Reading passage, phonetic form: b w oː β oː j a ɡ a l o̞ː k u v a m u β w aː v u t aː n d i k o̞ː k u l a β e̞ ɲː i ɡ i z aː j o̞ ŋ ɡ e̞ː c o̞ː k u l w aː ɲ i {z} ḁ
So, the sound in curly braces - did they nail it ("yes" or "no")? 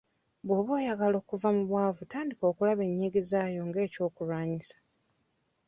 no